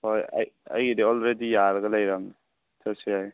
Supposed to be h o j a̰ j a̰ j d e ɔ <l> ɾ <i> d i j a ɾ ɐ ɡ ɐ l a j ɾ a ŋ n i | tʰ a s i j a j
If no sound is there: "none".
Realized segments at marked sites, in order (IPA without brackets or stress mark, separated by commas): l, e